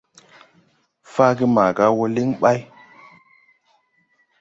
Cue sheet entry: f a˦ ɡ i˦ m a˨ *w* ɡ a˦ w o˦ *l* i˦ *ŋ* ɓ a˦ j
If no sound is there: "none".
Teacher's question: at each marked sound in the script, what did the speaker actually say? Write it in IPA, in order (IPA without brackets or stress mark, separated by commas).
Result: none, l, ŋ